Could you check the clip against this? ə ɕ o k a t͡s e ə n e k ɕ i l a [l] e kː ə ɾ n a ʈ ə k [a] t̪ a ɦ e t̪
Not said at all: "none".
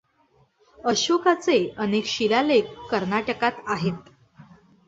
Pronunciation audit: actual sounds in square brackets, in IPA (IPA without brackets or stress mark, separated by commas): l, a